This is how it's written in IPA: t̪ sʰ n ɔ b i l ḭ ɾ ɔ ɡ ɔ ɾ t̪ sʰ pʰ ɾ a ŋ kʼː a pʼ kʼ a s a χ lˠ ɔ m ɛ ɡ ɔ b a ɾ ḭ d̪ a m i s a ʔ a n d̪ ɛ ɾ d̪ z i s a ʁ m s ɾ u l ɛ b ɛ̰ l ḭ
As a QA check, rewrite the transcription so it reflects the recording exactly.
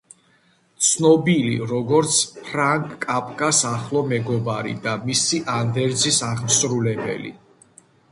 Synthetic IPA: t̪ sʰ n ɔ b i l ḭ ɾ ɔ ɡ ɔ ɾ t̪ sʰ pʰ ɾ a ŋ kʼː a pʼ kʼ a s a χ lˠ ɔ m ɛ ɡ ɔ b a ɾ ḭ d̪ a m i s i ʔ a n d̪ ɛ ɾ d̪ z i s a ʁ m s ɾ u l ɛ b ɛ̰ l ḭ